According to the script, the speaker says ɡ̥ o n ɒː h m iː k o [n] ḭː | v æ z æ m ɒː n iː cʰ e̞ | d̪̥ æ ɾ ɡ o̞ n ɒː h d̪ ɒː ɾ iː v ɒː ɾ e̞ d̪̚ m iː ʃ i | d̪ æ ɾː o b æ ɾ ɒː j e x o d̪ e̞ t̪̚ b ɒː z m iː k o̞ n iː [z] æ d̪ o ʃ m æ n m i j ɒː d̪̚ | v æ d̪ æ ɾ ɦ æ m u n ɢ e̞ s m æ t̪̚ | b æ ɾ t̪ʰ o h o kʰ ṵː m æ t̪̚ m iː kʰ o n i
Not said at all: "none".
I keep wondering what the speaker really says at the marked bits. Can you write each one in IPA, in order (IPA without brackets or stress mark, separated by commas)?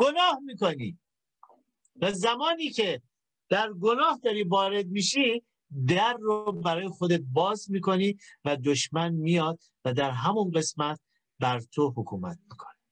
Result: n, v